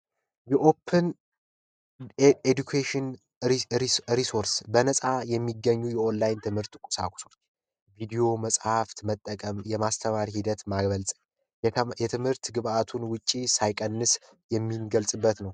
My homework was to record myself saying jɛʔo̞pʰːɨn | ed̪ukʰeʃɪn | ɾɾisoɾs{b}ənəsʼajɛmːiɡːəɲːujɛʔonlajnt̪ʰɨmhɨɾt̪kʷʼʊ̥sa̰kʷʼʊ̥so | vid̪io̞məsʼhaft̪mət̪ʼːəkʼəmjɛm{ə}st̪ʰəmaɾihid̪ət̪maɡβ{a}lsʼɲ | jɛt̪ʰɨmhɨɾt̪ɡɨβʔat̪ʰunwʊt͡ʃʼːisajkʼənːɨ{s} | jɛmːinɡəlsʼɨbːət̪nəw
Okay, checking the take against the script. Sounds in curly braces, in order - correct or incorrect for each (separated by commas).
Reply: correct, incorrect, incorrect, correct